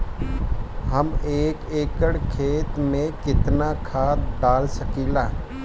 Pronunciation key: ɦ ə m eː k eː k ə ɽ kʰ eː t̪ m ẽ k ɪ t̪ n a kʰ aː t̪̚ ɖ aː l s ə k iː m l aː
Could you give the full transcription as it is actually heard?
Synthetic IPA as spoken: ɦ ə m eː k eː k ə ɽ kʰ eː t̪ m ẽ k ɪ t̪ n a kʰ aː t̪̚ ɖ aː l s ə k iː l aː